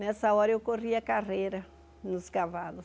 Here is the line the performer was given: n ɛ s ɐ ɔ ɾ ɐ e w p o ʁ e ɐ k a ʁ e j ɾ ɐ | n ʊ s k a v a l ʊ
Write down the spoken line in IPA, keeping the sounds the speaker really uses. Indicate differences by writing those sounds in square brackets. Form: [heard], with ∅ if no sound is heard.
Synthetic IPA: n ɛ s ɐ ɔ ɾ ɐ e w [k] o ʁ [i] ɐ k a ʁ e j ɾ ɐ | n ʊ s k a v a l ʊ